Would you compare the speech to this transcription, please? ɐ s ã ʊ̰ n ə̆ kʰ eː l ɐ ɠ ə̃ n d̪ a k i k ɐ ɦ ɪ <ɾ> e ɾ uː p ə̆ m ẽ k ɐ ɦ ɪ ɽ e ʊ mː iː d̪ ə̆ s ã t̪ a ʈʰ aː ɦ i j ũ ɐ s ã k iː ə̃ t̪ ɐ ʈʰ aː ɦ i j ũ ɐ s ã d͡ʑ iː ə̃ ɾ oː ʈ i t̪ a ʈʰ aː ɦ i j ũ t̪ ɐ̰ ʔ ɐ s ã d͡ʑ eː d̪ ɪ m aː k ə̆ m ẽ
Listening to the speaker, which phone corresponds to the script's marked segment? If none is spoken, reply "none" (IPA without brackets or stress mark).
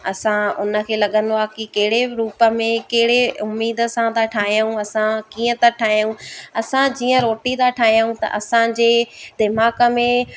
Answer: ɽ